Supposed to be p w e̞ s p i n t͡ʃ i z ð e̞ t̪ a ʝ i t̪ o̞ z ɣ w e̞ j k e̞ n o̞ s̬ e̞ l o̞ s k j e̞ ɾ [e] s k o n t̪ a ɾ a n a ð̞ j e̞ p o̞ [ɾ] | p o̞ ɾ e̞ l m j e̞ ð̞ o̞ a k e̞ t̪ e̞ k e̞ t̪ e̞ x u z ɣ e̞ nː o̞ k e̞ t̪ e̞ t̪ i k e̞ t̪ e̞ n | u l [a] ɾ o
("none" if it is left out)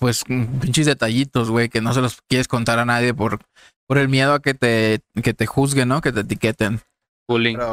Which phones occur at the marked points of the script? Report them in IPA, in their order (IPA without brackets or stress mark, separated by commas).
e, ɾ, i